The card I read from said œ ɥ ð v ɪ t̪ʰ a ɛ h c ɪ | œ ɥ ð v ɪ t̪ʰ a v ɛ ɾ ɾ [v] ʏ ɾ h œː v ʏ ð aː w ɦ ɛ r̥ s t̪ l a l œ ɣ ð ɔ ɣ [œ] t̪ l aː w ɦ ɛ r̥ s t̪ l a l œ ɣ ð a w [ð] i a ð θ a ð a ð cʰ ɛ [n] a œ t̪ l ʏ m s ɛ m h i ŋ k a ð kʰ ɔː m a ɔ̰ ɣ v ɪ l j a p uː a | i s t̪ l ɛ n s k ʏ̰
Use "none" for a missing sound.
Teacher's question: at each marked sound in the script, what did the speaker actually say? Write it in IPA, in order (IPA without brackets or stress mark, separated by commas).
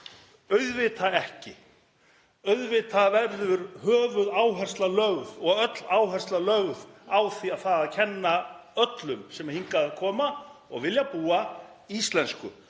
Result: ð, œ, θ, nː